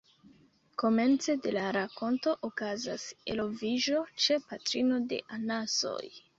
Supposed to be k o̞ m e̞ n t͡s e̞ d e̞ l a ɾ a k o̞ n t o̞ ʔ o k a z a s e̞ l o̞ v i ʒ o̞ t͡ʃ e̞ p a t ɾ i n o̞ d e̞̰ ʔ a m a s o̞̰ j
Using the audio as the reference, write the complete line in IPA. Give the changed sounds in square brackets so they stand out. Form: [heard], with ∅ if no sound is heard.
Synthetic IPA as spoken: k o̞ m e̞ n t͡s e̞ d e̞ l a ɾ a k o̞ n t o̞ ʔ o k a z a s e̞ l o̞ v i ʒ o̞ t͡ʃ e̞ p a t ɾ i n o̞ d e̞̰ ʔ a [n] a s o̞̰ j